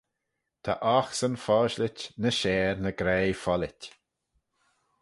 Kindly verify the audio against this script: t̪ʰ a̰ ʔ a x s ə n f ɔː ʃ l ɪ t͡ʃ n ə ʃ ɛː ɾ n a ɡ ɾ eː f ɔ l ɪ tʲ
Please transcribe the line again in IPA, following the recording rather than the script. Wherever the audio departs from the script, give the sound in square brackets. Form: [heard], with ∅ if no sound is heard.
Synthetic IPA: t̪ʰ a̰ ʔ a x s ə n f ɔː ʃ l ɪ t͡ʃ n ə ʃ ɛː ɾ n [ə] ɡ ɾ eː f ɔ l ɪ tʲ